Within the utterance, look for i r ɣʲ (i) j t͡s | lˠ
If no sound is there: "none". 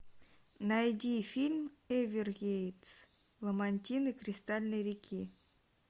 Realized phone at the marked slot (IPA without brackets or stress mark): e